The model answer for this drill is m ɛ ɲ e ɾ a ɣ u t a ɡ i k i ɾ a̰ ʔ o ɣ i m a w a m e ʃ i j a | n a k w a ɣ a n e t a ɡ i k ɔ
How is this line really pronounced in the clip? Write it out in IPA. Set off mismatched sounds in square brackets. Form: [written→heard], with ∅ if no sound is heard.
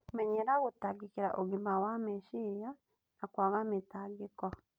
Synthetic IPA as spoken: m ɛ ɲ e ɾ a ɣ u t a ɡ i k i ɾ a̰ ʔ o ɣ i m a w a m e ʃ i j a | n a k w a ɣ a [n→m] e t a ɡ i k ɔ